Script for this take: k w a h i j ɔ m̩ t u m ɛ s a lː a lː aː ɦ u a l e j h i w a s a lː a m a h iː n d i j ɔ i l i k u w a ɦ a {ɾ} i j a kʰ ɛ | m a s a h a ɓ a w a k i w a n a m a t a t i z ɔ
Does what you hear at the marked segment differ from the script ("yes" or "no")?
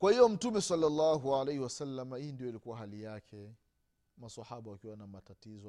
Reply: yes